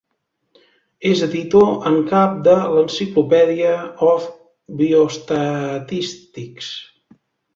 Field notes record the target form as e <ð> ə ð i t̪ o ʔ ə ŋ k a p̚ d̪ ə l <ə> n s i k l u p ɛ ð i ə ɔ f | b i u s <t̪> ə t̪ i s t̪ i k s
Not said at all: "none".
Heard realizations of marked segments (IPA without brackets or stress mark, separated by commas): z, ə, t̪